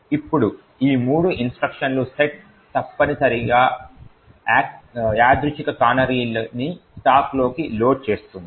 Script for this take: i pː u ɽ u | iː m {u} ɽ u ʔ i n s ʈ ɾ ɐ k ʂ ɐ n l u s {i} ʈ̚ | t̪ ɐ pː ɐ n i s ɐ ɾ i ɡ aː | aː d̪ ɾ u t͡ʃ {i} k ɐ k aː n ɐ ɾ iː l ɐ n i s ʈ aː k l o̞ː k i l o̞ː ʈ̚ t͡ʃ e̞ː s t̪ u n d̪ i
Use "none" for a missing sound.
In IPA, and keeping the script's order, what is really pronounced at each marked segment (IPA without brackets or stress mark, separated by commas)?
uː, e, i